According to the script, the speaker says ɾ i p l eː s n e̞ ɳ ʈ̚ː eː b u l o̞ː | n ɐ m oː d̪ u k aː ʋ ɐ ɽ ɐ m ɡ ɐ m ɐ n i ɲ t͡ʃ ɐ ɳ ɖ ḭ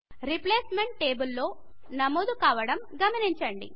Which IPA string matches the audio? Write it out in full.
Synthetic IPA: ɾ i p l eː s m e̞ ɳ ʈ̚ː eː b u lː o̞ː | n ɐ m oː d̪ u k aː ʋ ɐ ɽ ɐ m ɡ ɐ m ɐ n i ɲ t͡ʃ ɐ ɳ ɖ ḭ